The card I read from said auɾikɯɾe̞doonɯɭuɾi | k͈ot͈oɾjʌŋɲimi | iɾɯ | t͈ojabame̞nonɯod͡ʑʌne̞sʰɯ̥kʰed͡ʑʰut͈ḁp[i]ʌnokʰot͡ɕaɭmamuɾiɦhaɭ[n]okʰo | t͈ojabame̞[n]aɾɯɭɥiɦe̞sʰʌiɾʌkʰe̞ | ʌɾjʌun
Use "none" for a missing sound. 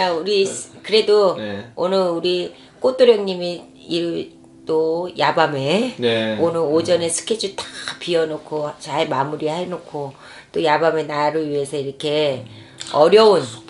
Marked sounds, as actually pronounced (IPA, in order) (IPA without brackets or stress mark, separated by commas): i, n, n